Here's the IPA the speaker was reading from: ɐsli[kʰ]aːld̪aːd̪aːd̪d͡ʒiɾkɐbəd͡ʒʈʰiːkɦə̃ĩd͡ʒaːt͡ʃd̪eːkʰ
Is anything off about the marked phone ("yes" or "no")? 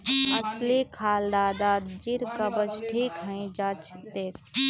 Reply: no